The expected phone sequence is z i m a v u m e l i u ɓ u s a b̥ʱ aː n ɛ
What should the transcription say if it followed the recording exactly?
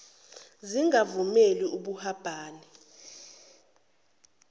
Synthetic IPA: z i ŋ a v u m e l i u ɓ u h a b̥ʱ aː n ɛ